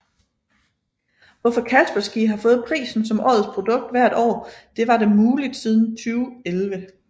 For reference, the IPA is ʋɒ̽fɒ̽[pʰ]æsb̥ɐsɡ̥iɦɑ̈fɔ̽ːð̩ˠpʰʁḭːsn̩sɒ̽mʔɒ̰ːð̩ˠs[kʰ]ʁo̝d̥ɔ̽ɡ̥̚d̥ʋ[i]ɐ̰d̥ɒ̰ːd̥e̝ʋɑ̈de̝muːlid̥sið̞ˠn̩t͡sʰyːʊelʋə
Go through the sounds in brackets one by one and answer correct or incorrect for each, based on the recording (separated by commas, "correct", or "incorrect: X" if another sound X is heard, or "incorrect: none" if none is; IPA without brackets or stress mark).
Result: incorrect: kʰ, incorrect: pʰ, incorrect: æ